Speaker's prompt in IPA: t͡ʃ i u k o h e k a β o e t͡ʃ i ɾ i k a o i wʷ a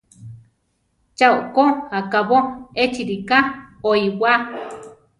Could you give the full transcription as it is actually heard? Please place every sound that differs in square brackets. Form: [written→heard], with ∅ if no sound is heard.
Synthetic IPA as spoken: t͡ʃ [i→a] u k o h [e→a] k a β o e t͡ʃ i ɾ i k a o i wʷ a

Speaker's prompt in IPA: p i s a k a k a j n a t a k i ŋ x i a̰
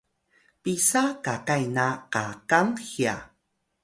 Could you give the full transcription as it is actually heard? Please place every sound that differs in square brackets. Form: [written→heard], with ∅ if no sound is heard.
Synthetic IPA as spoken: p i s a k a k a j n a [t→q] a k [i→a] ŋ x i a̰

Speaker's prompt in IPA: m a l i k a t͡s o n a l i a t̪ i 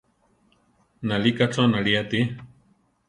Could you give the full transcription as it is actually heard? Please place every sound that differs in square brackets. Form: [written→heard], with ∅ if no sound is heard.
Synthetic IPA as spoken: [m→n] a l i k a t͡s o n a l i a t̪ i

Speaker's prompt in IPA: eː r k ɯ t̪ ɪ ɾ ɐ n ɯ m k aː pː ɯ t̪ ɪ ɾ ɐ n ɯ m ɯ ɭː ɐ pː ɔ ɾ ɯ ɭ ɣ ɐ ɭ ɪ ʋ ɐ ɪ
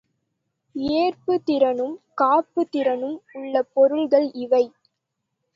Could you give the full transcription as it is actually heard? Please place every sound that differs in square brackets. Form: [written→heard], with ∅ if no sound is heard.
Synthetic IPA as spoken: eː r [k→p] ɯ t̪ ɪ ɾ ɐ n ɯ m k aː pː ɯ t̪ ɪ ɾ ɐ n ɯ m [ɯ→ʊ] ɭː ɐ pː ɔ ɾ ɯ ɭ ɣ ɐ ɭ ɪ ʋ ɐ ɪ

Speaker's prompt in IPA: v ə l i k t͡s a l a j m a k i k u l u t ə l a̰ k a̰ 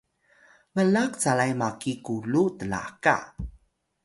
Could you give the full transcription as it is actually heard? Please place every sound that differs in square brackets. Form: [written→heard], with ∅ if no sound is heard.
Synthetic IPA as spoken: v ə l [i→a] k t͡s a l a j m a k i k u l u t ə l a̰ k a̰

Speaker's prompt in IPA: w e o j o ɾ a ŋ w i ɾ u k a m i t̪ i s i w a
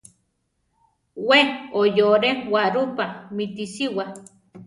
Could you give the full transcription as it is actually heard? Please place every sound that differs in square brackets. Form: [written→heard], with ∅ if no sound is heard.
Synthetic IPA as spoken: w e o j o ɾ [a→e] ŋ w [i→a] ɾ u [k→p] a m i t̪ i s i w a

